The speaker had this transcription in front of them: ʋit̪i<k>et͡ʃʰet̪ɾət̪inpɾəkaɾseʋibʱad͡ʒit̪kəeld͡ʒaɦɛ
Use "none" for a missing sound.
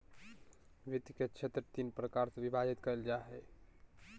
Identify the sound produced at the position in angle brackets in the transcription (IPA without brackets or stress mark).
k